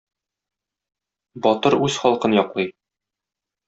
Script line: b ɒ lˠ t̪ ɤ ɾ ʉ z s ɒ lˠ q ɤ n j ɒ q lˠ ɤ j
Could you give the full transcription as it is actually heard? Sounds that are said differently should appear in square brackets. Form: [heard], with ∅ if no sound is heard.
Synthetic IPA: b ɒ [∅] t̪ ɤ ɾ ʉ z [χ] ɒ lˠ q ɤ n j ɒ q lˠ ɤ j